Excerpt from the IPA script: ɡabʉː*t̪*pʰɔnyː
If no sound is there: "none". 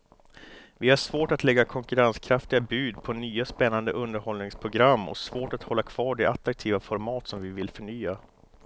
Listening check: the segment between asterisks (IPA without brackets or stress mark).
d̪